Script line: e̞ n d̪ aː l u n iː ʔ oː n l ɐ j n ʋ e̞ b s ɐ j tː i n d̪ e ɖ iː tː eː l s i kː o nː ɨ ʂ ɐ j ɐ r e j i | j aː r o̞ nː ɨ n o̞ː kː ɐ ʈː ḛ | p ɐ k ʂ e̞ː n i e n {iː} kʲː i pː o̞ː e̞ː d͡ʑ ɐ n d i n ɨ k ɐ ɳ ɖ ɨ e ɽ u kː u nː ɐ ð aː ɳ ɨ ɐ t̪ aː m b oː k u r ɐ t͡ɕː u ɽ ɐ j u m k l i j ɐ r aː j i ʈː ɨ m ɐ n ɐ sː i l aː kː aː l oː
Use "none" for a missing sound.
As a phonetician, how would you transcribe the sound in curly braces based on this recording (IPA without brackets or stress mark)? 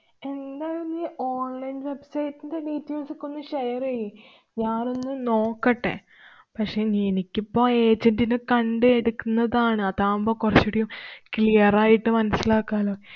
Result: i